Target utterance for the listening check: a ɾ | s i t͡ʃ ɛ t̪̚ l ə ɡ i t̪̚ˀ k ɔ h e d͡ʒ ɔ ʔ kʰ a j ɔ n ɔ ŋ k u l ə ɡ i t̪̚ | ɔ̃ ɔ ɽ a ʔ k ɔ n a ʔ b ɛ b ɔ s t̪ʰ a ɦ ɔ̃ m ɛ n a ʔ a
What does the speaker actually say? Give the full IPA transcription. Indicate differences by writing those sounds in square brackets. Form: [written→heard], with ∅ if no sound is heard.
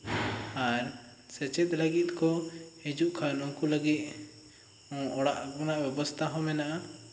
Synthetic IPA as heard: a ɾ | s [i→ɛ] t͡ʃ ɛ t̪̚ l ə ɡ i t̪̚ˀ k ɔ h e d͡ʒ [ɔ→u] ʔ kʰ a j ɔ n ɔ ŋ k u l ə ɡ i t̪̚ | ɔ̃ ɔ ɽ a ʔ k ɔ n a ʔ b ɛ b ɔ s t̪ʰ a ɦ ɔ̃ m ɛ n a ʔ a